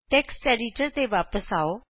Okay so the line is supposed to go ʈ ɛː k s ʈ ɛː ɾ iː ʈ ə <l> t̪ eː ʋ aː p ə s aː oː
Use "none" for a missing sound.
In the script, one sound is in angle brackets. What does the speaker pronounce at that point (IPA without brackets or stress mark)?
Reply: ɾ